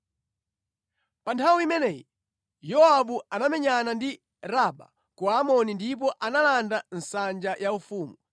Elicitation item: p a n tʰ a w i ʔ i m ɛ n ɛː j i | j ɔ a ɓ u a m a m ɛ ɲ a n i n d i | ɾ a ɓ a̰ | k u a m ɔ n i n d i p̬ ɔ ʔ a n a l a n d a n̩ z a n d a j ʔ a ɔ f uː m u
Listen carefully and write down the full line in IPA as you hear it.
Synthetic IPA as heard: p a n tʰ a w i i m ɛ n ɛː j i | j ɔ a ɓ u a n a m ɛ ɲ a n a n d i | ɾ a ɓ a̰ | k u a m ɔ n i n d i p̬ ɔ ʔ a n a l a n d a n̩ s a n d͡ʒ a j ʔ a u f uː m u